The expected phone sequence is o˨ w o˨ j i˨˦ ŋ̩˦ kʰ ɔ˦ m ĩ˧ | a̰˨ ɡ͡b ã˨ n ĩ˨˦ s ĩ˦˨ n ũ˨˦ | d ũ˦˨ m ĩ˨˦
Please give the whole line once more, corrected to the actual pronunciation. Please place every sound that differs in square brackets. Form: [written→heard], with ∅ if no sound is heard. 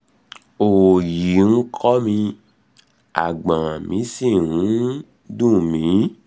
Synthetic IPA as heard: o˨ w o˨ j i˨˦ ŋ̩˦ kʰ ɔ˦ m ĩ˧ | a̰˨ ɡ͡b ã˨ [n→m] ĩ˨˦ s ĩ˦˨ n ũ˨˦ | d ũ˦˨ m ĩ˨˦